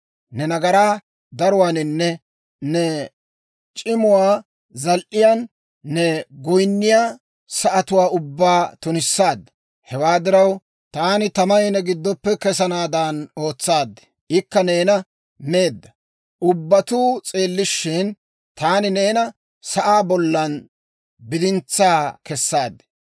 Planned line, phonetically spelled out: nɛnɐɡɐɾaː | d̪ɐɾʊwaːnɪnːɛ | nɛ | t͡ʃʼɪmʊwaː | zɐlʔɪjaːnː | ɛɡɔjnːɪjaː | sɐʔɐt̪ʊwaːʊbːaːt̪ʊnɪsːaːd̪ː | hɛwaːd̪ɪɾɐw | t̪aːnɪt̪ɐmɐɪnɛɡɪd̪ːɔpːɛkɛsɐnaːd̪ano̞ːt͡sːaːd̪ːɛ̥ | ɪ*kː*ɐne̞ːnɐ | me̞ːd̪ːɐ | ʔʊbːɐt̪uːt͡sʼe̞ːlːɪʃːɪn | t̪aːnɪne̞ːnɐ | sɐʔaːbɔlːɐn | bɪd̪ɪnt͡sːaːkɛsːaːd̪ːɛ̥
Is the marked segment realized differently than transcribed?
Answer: no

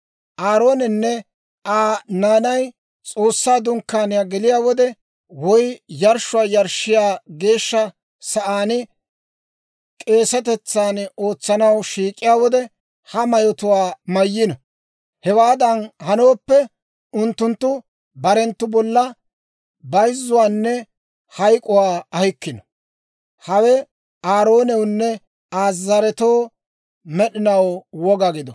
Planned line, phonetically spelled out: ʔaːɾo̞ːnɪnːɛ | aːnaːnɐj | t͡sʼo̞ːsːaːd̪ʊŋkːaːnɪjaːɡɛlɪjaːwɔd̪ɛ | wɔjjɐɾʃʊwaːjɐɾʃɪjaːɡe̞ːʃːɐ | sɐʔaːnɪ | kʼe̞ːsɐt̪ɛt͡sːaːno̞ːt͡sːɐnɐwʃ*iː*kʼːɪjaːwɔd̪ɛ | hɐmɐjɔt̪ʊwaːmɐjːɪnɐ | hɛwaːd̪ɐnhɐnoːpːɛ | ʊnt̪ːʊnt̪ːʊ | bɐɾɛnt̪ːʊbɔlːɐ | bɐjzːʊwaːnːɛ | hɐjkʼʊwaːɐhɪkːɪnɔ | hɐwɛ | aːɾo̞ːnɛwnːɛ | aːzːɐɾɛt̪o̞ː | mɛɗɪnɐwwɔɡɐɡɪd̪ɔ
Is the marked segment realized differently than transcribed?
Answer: no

